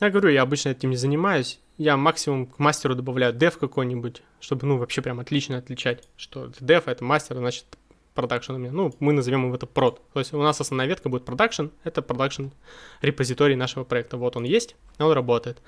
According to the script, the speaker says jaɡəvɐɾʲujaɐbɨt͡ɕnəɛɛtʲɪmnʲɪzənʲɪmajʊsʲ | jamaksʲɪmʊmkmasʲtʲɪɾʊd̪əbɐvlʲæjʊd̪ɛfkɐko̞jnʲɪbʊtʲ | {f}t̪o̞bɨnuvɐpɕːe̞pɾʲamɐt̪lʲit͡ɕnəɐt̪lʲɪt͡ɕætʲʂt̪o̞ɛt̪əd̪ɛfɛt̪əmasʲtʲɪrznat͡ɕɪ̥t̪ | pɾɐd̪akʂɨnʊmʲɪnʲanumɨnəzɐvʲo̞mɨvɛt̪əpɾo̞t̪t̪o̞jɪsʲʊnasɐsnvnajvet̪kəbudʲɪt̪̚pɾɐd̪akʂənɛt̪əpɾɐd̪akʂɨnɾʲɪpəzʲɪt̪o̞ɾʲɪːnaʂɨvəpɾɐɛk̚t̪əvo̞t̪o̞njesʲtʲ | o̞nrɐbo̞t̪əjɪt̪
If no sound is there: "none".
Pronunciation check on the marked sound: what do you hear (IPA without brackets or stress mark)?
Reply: ʂ